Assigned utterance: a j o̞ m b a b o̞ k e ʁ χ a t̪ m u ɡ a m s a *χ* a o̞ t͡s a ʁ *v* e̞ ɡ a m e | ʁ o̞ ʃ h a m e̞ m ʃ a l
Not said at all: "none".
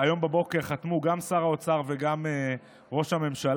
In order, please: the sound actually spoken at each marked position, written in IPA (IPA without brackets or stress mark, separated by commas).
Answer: ʁ, v